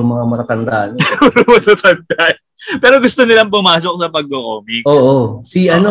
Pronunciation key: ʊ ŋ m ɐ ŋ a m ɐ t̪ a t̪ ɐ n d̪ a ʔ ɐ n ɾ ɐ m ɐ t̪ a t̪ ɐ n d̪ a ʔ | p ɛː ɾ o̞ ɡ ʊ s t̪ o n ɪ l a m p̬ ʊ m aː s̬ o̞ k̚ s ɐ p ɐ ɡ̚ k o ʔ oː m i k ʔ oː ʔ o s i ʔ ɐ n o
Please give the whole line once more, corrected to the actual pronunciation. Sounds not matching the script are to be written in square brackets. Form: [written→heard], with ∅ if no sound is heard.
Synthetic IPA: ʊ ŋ m ɐ ŋ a m ɐ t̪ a t̪ ɐ n d̪ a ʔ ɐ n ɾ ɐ m ɐ t̪ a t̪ ɐ n d̪ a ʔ | p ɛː ɾ o̞ ɡ ʊ s t̪ o n ɪ l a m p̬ ʊ m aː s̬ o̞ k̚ s ɐ p ɐ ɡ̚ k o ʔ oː m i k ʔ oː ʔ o s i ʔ ɐ n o